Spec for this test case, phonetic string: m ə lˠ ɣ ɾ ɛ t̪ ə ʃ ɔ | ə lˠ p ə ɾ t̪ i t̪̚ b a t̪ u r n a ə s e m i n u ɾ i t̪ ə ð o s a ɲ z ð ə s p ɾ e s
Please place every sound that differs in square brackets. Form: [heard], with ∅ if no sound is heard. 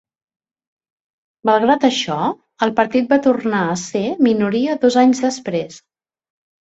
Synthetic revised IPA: m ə lˠ ɣ ɾ [a] t̪ ə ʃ ɔ | ə lˠ p ə ɾ t̪ i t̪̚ b a t̪ u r n a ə s e m i n u ɾ i [∅] ə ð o [z] a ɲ z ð ə s p ɾ e s